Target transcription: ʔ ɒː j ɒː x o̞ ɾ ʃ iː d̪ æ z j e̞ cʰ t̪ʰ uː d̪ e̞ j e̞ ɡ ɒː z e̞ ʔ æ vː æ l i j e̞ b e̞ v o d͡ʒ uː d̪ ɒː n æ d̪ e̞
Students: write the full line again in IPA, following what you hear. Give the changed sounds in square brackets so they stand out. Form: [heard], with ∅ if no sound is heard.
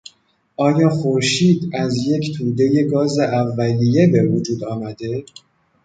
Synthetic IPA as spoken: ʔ ɒː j ɒː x o̞ ɾ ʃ iː d̪ æ z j e̞ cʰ t̪ʰ uː d̪ e̞ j e̞ ɡ ɒː z e̞ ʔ æ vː æ l i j e̞ b e̞ v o d͡ʒ uː d̪ ɒː [m] æ d̪ e̞